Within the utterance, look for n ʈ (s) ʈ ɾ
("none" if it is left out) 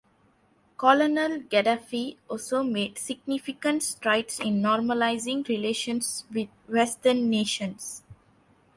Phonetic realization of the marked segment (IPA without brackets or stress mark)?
s